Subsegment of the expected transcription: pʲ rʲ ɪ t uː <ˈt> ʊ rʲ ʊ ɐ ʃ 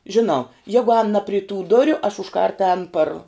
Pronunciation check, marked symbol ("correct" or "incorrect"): incorrect